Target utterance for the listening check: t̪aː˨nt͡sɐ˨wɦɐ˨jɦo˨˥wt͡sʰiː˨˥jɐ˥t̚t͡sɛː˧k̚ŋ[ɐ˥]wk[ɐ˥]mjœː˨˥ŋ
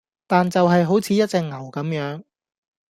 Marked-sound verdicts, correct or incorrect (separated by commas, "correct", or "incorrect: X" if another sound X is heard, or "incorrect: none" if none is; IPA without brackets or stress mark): incorrect: ɐ˨˩, incorrect: ɐ˨˥